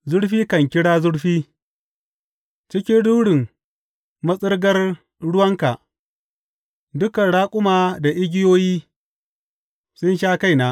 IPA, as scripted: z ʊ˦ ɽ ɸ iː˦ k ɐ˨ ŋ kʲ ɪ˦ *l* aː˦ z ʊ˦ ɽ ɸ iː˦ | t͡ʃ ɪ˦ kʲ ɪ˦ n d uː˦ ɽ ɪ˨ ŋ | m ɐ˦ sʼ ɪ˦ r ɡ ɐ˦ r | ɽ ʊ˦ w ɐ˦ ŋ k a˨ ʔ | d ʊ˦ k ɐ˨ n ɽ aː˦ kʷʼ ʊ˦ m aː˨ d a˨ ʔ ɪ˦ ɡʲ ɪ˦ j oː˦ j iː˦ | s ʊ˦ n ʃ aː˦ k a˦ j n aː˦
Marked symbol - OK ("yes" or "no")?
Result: no